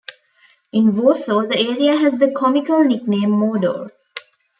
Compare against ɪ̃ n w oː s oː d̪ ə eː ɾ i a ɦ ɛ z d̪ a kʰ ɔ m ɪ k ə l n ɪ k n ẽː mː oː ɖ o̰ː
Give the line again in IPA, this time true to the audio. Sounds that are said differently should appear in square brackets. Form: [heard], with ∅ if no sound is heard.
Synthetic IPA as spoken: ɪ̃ n [ʋ] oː s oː d̪ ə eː ɾ i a ɦ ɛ z d̪ [ə] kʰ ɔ m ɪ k ə l n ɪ k n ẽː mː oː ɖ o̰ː